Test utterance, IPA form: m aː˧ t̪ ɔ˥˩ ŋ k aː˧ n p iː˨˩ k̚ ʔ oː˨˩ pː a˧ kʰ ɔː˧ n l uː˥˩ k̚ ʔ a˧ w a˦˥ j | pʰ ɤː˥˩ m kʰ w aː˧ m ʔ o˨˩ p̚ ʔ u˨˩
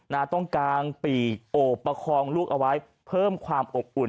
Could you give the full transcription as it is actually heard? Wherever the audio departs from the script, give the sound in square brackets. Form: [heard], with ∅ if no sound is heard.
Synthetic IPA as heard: [n] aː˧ t̪ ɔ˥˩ ŋ k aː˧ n p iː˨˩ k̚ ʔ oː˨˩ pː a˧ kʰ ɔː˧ [ŋ] l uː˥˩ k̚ ʔ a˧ w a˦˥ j | pʰ ɤː˥˩ m kʰ w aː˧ m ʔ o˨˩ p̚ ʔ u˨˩